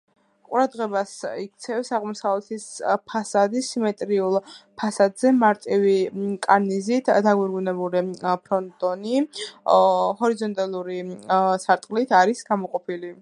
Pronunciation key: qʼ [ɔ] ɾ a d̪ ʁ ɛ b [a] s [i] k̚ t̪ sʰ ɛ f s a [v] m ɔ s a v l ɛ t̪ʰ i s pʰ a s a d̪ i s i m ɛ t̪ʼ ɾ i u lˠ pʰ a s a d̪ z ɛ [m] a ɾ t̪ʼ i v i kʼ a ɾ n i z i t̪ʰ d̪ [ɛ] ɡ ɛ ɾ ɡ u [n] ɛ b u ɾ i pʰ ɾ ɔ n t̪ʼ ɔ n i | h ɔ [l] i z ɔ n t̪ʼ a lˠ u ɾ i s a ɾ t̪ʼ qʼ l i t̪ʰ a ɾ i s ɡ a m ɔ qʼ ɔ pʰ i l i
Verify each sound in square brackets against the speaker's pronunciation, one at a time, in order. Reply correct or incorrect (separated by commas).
incorrect, correct, correct, incorrect, correct, incorrect, correct, incorrect